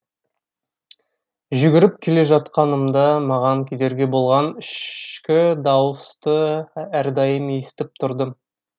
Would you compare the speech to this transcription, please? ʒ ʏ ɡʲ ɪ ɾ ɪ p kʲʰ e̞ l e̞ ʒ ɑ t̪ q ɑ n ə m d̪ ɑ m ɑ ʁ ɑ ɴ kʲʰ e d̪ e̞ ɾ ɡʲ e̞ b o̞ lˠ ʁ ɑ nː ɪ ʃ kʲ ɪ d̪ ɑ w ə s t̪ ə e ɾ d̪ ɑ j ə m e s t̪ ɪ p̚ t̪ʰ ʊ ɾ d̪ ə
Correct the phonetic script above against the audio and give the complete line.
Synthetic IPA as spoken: ʒ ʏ ɡʲ ɪ ɾ ɪ p kʲʰ e̞ l e̞ ʒ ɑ t̪ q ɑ n ə m d̪ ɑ m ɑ ʁ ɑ ŋ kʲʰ e d̪ e̞ ɾ ɡʲ e̞ b o̞ lˠ ʁ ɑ n ɪ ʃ kʲ ɪ d̪ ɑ w ə s t̪ ə æ ɾ d̪ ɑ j ə m e s t̪ ɪ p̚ t̪ʰ ʊ ɾ d̪ ə